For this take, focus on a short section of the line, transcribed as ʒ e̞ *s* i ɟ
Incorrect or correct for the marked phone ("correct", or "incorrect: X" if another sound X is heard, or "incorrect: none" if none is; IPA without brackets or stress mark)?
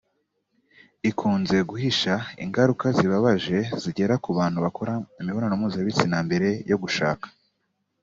incorrect: z